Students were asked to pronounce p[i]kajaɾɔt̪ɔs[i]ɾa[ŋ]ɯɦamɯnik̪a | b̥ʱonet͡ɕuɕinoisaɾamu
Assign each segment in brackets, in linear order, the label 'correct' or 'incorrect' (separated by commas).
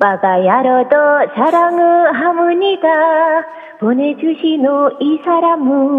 incorrect, incorrect, correct